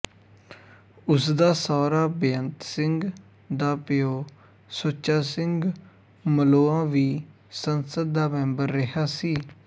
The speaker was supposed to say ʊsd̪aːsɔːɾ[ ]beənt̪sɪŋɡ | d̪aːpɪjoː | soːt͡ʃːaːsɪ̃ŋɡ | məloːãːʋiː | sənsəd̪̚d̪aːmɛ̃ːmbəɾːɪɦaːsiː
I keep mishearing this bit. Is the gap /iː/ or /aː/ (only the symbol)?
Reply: aː